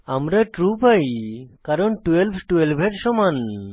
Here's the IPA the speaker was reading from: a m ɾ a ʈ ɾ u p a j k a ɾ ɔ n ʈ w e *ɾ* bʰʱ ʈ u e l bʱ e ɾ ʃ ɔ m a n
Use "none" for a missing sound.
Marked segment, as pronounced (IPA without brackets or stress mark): l